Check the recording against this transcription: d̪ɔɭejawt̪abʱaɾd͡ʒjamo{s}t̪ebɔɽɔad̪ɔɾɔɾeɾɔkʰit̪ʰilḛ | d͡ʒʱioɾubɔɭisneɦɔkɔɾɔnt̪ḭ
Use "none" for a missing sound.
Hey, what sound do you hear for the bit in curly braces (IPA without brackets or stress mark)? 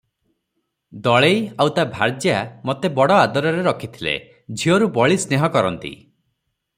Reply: none